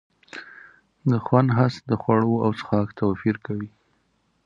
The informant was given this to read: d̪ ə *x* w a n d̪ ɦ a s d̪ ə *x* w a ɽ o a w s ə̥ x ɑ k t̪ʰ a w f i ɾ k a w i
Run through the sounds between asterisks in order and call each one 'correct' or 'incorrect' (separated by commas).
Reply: correct, correct